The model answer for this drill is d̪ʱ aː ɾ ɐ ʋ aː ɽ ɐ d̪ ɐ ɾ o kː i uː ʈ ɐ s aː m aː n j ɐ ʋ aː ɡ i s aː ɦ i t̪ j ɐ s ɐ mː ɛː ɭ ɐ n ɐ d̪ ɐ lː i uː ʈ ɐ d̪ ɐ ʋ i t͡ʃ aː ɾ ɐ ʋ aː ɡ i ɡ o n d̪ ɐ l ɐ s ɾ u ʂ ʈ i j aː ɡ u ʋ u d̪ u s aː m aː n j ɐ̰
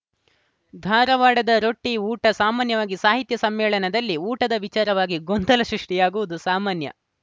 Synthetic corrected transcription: d̪ʱ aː ɾ ɐ ʋ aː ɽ ɐ d̪ ɐ ɾ o ʈː i uː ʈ ɐ s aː m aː n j ɐ ʋ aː ɡ i s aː ɦ i t̪ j ɐ s ɐ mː ɛː ɭ ɐ n ɐ d̪ ɐ lː i uː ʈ ɐ d̪ ɐ ʋ i t͡ʃ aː ɾ ɐ ʋ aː ɡ i ɡ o n d̪ ɐ l ɐ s ɾ u ʂ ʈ i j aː ɡ u ʋ u d̪ u s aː m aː n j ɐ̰